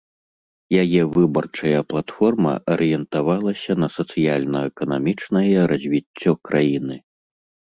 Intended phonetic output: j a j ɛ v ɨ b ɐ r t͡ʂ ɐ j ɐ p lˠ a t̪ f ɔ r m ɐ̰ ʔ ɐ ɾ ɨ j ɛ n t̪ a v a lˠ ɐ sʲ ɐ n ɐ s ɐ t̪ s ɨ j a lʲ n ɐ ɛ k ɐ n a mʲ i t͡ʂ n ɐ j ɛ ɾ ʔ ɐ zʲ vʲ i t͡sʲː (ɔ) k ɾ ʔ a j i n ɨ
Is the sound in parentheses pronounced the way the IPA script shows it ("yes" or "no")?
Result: yes